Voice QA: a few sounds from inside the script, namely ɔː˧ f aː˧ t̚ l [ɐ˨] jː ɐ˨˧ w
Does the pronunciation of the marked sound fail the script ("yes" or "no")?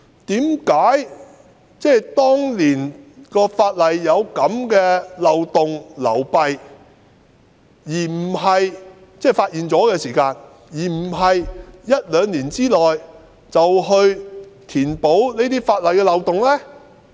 no